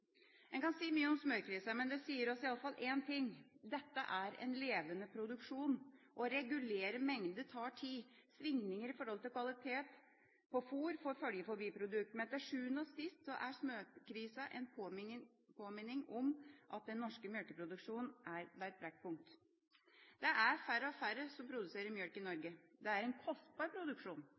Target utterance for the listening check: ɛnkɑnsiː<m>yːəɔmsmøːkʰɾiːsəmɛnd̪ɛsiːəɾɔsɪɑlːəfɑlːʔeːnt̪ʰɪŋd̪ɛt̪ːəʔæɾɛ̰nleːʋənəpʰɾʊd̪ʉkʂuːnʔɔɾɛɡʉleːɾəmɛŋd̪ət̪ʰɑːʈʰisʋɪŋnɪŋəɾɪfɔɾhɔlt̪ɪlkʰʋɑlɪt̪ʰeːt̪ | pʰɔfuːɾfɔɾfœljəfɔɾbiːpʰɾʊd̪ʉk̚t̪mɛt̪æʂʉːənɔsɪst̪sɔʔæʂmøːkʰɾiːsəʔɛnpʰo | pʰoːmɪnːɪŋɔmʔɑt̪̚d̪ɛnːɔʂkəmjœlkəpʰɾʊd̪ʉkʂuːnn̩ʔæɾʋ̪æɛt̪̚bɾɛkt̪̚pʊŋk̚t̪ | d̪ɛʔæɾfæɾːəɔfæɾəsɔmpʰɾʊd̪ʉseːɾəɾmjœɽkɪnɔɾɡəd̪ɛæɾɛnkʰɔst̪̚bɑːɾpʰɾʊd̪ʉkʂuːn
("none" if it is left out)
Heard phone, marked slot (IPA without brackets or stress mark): m